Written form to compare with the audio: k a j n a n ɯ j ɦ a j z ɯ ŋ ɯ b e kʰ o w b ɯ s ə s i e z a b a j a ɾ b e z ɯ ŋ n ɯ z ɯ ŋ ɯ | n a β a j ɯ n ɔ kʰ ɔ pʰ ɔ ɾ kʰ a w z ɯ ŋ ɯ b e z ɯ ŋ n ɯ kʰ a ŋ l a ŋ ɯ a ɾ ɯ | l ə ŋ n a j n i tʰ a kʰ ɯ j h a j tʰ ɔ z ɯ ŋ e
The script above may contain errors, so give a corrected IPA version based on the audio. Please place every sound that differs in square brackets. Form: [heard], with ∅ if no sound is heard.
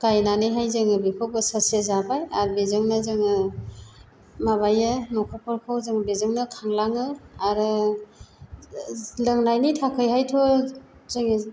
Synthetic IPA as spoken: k a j n a n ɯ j ɦ a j z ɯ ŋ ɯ b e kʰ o w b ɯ s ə s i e z a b a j a ɾ b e z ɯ ŋ n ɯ z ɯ ŋ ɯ | [m] a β a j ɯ n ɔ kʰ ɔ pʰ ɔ ɾ kʰ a w z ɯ ŋ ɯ b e z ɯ ŋ n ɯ kʰ a ŋ l a ŋ ɯ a ɾ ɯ | l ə ŋ n a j n i tʰ a kʰ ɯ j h a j tʰ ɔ z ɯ ŋ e